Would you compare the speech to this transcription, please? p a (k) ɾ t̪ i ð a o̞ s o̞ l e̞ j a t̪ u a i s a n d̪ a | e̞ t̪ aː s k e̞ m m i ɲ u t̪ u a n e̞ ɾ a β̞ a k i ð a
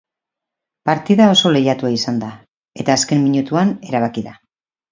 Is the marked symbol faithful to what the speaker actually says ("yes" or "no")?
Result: no